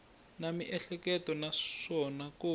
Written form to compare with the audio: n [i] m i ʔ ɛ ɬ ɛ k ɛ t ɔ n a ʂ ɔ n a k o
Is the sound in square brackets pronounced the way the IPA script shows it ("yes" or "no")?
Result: no